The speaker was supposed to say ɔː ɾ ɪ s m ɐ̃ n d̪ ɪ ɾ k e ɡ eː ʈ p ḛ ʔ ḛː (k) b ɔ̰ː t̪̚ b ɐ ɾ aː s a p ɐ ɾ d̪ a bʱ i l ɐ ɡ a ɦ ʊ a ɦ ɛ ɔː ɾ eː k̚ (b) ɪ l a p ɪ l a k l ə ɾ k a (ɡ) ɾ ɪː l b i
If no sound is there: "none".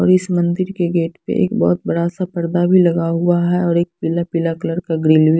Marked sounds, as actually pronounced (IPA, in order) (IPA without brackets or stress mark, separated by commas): k, p, ɡ